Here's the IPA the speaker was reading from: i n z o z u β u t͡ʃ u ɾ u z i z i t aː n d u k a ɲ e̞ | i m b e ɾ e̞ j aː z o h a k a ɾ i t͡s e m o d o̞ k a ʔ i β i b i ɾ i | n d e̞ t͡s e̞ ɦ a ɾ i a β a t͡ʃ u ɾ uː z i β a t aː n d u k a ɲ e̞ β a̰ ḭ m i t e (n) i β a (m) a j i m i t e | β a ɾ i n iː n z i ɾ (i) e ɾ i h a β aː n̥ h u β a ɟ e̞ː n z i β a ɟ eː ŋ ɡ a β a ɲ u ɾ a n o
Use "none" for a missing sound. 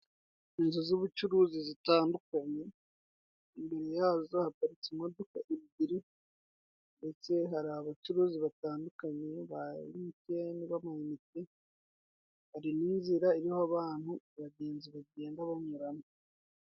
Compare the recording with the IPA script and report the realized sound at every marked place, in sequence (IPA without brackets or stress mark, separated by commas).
n, m, a